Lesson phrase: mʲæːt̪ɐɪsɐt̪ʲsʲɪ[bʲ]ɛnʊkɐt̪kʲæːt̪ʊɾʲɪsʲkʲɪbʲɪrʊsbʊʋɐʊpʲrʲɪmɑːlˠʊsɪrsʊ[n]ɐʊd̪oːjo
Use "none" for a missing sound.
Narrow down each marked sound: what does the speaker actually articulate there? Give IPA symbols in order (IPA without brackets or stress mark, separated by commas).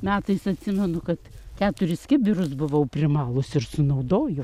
mʲ, n